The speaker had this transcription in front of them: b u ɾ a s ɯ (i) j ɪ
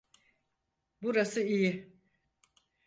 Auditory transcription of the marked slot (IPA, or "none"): i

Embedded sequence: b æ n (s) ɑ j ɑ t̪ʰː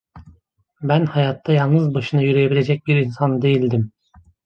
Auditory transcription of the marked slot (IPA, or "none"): h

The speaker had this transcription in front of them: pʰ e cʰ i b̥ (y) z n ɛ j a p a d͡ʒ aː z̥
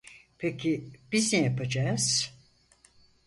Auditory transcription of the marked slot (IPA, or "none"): i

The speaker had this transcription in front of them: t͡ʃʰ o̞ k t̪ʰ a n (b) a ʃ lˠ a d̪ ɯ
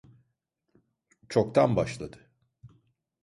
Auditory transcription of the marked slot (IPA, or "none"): b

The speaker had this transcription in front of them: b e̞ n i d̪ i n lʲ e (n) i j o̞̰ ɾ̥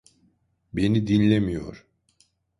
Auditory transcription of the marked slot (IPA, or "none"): m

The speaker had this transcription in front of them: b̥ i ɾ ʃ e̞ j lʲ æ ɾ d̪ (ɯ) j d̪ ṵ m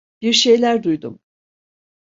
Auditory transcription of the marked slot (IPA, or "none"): u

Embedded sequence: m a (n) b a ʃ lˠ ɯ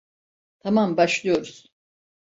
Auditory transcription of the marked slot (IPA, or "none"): m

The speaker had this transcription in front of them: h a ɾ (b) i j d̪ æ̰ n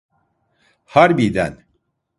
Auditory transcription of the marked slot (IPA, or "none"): b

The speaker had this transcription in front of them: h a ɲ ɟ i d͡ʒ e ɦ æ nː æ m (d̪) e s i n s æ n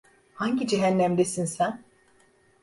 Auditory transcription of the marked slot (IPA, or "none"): d̪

